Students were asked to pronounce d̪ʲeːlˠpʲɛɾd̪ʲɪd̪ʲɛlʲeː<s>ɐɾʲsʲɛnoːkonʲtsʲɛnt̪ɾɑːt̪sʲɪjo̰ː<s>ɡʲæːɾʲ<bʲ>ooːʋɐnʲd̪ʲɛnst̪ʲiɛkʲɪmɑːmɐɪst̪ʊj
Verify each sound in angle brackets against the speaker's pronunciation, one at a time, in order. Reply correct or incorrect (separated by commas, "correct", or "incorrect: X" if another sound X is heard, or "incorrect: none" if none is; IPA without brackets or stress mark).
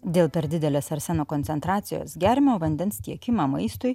correct, correct, incorrect: mʲ